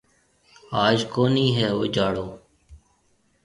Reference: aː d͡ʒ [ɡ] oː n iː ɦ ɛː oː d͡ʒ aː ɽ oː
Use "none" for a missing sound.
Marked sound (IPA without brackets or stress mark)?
k